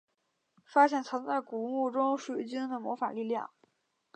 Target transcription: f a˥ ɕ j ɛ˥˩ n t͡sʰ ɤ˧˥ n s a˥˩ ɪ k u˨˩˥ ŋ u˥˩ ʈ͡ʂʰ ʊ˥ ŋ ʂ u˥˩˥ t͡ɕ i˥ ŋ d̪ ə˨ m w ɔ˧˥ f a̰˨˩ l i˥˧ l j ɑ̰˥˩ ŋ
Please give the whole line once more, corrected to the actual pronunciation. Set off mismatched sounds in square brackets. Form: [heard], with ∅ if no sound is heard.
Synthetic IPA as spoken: f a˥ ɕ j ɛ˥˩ n t͡sʰ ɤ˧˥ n [t͡s] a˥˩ ɪ k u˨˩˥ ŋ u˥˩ [ʈ͡ʂ] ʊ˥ ŋ ʂ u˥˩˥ t͡ɕ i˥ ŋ d̪ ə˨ m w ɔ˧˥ f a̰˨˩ l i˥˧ l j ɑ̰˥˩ ŋ